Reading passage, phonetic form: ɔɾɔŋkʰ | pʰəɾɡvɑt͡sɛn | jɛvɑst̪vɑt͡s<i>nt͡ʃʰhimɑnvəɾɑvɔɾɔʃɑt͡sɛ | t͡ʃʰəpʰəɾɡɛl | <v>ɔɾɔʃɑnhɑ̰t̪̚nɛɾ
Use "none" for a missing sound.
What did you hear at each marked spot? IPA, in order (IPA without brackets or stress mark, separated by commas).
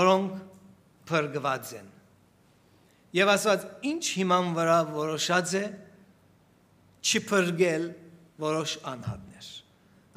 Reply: i, v